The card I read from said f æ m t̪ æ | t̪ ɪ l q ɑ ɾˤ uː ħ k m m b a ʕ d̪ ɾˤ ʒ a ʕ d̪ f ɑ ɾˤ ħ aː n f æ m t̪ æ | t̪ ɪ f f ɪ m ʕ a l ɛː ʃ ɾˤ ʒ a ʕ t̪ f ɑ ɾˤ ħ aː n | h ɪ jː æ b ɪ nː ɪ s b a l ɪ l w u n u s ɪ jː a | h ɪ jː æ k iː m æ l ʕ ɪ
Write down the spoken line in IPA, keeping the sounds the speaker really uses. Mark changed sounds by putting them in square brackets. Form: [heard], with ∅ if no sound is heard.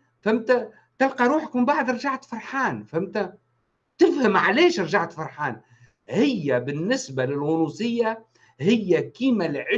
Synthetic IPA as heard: f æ m t̪ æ | t̪ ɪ l q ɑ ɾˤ uː ħ k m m b a ʕ d̪ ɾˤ ʒ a ʕ [t̪] f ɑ ɾˤ ħ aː n f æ m t̪ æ | t̪ ɪ f [h] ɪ m ʕ a l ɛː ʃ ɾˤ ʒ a ʕ t̪ f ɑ ɾˤ ħ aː n | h ɪ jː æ b ɪ nː ɪ s b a l ɪ l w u n u s ɪ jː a | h ɪ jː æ k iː m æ l ʕ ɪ

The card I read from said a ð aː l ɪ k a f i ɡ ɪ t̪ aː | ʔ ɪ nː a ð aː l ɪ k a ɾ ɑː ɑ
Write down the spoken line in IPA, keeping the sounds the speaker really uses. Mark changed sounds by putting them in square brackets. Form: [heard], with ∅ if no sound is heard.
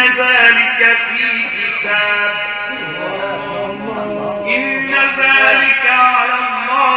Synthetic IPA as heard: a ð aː l ɪ k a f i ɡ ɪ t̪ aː | ʔ ɪ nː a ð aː l ɪ k a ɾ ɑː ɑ

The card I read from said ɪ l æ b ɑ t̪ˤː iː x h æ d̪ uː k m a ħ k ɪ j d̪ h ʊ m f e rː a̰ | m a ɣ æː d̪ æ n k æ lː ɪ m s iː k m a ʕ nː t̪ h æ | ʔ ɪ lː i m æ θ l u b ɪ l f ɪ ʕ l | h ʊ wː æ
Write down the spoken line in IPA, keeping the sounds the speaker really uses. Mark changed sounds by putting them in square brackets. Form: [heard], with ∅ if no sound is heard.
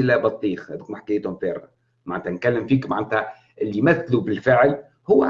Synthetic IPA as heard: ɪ l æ b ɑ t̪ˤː iː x h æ d̪ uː k m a ħ k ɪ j [t̪] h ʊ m f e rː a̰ | m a [ʕ] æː [t̪] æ n k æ lː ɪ m [f] iː k m a ʕ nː t̪ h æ | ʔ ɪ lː i m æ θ l u b ɪ l f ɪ ʕ l | h ʊ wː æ

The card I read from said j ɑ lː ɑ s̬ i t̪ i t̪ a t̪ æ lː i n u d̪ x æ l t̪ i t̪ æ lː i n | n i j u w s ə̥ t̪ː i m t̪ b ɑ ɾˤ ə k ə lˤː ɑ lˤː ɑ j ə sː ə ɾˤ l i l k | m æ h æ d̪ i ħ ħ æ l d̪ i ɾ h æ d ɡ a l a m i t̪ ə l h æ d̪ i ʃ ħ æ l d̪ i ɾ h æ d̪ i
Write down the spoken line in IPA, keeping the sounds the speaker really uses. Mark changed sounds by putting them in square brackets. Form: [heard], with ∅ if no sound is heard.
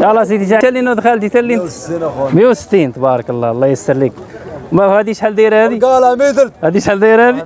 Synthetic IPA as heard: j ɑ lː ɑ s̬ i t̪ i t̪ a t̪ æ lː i n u d̪ x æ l t̪ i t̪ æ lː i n | [m] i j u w s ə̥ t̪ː i [n] t̪ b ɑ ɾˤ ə k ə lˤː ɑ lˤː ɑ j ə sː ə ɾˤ l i [∅] k | m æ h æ d̪ i [ʃ] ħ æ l d̪ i ɾ h æ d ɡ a l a m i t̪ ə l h æ d̪ i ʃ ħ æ l d̪ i ɾ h æ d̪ i

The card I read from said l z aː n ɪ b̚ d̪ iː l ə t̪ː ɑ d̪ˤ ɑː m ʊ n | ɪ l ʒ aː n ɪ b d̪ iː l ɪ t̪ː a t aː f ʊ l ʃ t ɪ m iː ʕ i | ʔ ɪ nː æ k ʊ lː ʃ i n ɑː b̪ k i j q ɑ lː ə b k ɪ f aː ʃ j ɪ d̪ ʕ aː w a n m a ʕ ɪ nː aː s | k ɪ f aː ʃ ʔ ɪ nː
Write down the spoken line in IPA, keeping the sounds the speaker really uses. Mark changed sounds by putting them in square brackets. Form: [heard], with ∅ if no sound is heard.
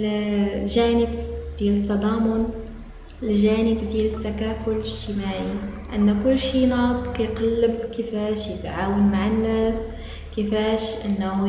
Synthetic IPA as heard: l [ʒ] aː n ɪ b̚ d̪ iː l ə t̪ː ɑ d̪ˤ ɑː m ʊ n | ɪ l ʒ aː n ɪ b d̪ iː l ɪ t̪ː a [k] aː f ʊ l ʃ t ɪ m [aː] ʕ i | ʔ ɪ nː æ k ʊ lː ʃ i n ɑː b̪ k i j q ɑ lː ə b k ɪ f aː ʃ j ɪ [t̪] ʕ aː w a n m a ʕ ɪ nː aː s | k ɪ f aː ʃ ʔ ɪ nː

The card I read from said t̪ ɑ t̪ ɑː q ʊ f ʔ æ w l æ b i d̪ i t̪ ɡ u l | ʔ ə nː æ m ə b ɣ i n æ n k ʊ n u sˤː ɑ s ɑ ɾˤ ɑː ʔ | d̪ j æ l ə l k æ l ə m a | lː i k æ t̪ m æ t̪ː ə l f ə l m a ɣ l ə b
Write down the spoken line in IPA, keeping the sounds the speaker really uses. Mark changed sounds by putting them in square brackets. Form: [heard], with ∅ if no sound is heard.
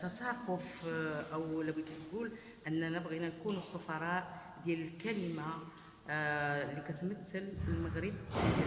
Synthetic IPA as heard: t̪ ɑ t̪ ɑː q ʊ f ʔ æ w l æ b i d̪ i t̪ ɡ u l | ʔ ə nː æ [n] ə b ɣ i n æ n k [u] n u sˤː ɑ [f] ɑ ɾˤ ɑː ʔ | d̪ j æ l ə l k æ l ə m a | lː i k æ t̪ m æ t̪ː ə l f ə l m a ɣ [ɾ] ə b

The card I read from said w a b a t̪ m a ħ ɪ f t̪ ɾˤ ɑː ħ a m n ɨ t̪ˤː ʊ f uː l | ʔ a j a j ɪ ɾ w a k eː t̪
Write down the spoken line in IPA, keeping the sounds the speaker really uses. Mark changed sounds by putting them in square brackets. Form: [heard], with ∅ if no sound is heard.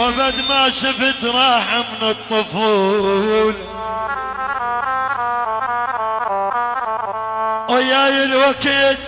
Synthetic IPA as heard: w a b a [d̪] m a [ʃ] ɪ f t̪ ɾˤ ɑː ħ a m n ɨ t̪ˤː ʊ f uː l | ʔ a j a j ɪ [l] w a k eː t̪

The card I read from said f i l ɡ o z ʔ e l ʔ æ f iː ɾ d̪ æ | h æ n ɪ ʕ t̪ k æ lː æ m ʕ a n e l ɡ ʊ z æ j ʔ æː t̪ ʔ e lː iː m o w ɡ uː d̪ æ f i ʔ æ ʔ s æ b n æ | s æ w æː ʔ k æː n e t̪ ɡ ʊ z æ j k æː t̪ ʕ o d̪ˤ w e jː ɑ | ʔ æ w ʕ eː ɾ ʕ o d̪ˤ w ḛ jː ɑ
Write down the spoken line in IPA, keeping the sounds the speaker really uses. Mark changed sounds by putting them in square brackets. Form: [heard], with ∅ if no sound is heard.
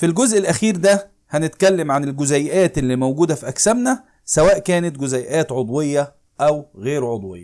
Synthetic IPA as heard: f i l ɡ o z ʔ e l ʔ æ [x] iː ɾ d̪ æ | h æ n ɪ [∅] t̪ k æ lː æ m ʕ a n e l ɡ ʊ z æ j ʔ æː t̪ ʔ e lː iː m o w ɡ uː d̪ æ f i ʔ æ [k] s æ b n æ | s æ w æː ʔ k æː n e t̪ ɡ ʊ z æ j [ʔ] æː t̪ ʕ o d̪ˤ w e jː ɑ | ʔ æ w [ɣ] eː ɾ ʕ o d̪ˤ w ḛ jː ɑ

